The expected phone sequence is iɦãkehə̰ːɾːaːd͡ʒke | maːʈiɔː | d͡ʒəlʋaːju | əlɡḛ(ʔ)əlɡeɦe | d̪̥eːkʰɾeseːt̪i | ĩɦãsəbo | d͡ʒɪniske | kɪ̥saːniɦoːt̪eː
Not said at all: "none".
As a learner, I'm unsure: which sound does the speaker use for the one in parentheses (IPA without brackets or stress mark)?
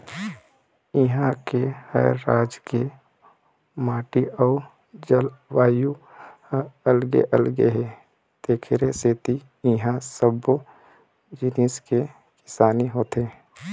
ʔ